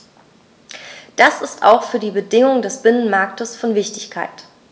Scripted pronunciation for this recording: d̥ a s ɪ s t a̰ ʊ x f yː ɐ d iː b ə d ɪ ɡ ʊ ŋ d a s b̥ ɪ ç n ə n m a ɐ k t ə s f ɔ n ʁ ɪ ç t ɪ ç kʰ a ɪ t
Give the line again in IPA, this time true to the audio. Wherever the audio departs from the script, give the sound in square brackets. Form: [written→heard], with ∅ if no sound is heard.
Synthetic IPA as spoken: d̥ a s ɪ s t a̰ ʊ x f yː ɐ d iː b ə d ɪ [ɡ→ŋ] ʊ ŋ d [a→ɛ] s b̥ ɪ [ç→∅] n ə n m a ɐ k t ə s f ɔ n [ʁ→v] ɪ ç t ɪ ç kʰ a ɪ t